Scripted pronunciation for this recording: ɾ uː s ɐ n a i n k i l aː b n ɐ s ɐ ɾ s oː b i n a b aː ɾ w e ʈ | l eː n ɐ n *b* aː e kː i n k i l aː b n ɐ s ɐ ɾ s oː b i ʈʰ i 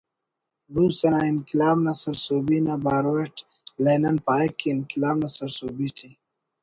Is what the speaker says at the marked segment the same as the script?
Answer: no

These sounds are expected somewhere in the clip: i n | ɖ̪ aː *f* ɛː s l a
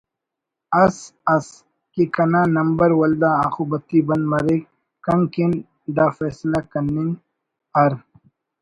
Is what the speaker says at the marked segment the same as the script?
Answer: yes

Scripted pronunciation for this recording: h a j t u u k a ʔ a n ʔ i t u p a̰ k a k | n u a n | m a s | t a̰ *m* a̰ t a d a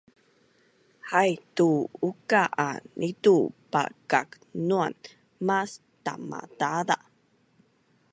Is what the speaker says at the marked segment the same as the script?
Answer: yes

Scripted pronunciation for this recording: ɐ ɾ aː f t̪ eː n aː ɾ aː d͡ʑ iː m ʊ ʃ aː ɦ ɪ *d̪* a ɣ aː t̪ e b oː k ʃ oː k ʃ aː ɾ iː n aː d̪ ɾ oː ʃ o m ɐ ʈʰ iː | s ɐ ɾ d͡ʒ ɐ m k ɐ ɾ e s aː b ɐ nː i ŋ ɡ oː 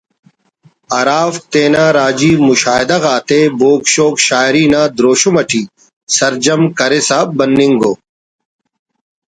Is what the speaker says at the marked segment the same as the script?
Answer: yes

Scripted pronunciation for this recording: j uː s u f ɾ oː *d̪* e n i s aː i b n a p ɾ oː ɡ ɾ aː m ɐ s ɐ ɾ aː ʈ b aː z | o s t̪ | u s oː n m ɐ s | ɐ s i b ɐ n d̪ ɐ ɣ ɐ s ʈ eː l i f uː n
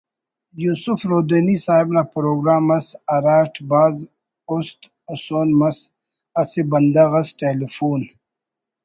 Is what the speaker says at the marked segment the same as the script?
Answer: yes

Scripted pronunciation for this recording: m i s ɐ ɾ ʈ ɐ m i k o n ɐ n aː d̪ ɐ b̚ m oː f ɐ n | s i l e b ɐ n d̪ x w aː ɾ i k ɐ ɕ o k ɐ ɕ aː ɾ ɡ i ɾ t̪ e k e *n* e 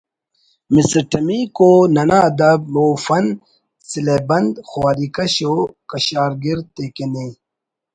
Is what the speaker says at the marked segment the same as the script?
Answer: yes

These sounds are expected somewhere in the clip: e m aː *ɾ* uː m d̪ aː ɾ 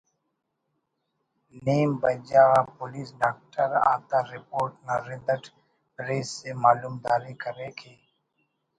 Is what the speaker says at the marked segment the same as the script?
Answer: no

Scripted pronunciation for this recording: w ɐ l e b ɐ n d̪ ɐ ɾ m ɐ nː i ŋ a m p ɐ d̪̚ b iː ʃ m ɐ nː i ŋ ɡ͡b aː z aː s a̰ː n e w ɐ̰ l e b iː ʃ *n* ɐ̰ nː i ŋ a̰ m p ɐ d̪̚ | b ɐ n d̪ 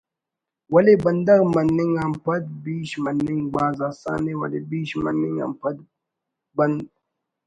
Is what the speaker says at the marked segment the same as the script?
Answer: no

